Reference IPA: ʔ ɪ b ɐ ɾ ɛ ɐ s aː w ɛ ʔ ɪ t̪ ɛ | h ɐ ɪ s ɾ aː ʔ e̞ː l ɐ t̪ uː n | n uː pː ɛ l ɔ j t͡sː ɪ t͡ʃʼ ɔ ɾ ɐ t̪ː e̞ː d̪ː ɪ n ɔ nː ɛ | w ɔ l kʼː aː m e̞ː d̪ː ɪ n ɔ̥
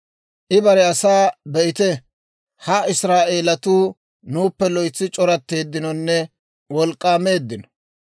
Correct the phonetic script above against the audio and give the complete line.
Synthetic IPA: ʔ ɪ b ɐ ɾ ɛ ɐ s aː b ɛ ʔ ɪ t̪ ɛ | h ɐ ɪ s ɾ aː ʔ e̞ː l ɐ t̪ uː | n uː pː ɛ l ɔ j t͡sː ɪ t͡ʃʼ ɔ ɾ ɐ t̪ː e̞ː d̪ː ɪ n ɔ nː ɛ | w ɔ l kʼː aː m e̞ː d̪ː ɪ n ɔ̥